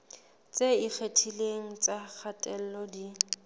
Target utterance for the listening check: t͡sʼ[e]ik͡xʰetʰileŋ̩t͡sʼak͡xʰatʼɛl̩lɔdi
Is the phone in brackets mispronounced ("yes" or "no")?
no